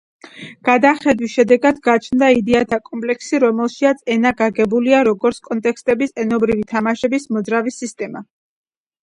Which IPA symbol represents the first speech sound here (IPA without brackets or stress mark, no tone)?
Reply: ɡ̥